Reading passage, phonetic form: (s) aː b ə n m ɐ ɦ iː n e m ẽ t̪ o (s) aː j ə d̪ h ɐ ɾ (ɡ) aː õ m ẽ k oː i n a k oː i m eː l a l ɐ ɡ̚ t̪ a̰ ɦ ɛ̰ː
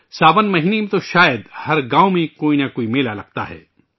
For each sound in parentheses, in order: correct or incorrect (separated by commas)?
correct, incorrect, correct